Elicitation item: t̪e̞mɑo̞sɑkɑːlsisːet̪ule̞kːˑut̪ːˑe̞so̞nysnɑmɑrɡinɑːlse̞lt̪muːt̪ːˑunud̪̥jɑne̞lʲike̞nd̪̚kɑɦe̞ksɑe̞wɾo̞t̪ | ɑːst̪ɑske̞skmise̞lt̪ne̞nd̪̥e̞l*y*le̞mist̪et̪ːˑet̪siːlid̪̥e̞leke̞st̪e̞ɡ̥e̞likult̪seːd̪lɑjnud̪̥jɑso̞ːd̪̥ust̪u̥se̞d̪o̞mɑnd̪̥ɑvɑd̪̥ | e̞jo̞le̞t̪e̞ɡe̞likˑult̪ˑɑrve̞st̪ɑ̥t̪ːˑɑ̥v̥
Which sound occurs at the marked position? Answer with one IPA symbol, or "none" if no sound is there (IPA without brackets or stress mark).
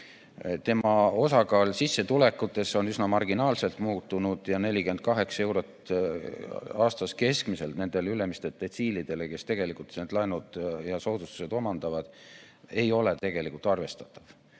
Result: y